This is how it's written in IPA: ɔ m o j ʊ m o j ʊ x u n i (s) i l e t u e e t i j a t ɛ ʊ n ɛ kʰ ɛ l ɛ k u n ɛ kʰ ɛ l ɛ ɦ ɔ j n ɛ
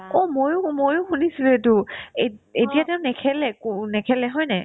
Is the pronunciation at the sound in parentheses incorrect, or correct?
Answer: correct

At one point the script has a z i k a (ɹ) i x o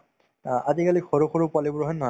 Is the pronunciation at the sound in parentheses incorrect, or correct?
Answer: incorrect: l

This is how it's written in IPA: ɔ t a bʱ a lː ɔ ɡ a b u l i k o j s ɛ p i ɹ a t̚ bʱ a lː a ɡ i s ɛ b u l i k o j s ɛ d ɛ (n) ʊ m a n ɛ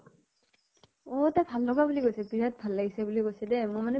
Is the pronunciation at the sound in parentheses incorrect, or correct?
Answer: incorrect: m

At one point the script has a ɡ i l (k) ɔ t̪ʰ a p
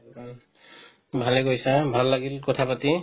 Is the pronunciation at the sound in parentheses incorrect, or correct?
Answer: correct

